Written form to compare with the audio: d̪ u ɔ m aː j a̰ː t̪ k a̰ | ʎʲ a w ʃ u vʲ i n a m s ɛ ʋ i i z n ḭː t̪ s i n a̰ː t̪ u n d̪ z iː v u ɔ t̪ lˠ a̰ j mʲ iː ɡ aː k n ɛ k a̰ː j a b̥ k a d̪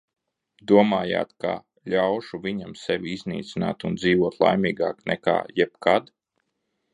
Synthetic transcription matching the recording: d̪ u ɔ m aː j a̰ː t̪ k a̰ | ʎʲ a w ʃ u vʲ i ɲ a m s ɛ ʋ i i z n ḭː t̪ s i n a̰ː t̪ u n d̪ z iː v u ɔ t̪ lˠ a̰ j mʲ iː ɡ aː k n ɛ k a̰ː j ɛ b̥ k a d̪